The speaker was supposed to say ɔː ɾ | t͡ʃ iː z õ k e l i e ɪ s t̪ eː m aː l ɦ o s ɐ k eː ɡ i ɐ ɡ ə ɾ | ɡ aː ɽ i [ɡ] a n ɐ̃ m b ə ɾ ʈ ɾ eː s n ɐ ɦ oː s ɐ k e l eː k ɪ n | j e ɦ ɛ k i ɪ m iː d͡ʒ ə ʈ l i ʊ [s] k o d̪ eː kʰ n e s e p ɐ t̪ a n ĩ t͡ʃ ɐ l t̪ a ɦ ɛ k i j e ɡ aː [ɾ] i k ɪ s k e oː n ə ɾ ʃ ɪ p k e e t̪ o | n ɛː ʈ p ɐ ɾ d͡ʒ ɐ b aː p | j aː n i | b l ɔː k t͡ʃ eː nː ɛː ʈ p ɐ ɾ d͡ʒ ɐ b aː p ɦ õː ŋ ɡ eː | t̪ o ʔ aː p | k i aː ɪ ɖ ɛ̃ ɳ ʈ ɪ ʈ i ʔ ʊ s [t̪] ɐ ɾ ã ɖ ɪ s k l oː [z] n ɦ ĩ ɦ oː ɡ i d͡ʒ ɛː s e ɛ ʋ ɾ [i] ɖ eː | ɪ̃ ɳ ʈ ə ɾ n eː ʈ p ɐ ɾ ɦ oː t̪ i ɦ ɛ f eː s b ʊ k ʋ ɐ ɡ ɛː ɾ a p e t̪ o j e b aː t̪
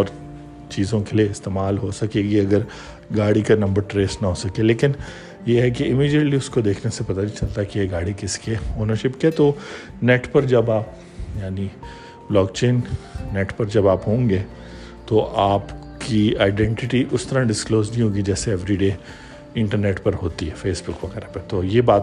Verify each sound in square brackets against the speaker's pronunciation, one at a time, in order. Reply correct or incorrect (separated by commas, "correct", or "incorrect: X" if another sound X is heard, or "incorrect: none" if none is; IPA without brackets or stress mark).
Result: incorrect: k, correct, incorrect: ɽ, correct, correct, correct